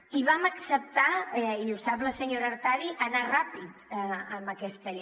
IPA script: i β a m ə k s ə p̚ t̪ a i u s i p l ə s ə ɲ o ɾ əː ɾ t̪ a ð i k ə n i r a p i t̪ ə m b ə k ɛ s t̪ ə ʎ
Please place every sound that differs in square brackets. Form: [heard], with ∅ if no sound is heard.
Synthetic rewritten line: i β a m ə k s ə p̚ t̪ a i u s [a] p l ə s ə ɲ o ɾ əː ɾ t̪ a ð i [ʔ] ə n [a] r a p i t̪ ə m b ə k ɛ s t̪ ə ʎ